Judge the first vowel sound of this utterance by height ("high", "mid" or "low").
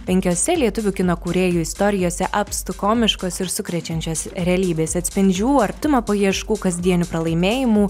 mid